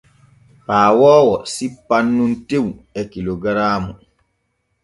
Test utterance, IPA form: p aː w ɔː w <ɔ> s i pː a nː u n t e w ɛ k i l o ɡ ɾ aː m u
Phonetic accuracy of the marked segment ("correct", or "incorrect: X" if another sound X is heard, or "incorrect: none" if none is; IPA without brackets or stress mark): correct